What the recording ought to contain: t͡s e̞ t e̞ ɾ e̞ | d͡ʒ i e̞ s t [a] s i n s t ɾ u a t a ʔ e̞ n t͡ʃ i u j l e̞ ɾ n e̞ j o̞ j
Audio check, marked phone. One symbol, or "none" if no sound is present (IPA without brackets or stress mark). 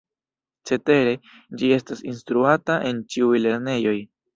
a